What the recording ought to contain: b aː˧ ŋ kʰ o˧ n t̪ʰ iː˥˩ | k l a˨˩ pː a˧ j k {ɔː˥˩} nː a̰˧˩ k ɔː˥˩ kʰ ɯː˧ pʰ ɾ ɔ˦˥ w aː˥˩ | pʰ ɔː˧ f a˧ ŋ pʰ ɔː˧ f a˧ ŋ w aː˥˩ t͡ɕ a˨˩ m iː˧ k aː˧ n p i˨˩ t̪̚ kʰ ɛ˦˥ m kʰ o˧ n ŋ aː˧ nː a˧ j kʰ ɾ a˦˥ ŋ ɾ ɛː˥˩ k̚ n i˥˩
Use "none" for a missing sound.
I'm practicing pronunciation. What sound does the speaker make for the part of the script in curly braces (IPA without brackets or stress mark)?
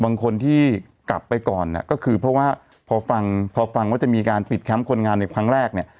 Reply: ɔː˨˩